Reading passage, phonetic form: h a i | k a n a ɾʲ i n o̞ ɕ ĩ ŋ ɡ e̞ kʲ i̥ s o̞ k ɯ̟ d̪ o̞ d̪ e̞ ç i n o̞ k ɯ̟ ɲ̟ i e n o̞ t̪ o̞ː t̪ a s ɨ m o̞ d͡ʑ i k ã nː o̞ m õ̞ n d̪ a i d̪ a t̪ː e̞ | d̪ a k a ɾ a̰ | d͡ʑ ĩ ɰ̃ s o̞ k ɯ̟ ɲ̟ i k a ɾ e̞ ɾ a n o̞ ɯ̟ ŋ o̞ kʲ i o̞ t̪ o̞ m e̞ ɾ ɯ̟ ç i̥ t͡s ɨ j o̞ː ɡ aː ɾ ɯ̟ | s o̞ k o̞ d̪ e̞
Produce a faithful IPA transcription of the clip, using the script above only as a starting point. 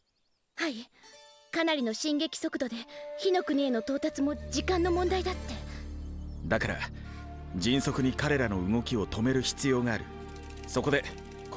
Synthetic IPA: h a i | k a n a ɾʲ i n o̞ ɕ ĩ ŋ ɡ e̞ kʲ i̥ s o̞ k ɯ̟ d̪ o̞ d̪ e̞ ç i n o̞ k ɯ̟ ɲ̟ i e n o̞ t̪ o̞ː t̪ a t͡s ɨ m o̞ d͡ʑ i k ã nː o̞ m õ̞ n d̪ a i d̪ a t̪ː e̞ | d̪ a k a ɾ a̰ | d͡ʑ ĩ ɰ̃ s o̞ k ɯ̟ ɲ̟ i k a ɾ e̞ ɾ a n o̞ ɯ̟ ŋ o̞ kʲ i o̞ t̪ o̞ m e̞ ɾ ɯ̟ ç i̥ t͡s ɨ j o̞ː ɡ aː ɾ ɯ̟ | s o̞ k o̞ d̪ e̞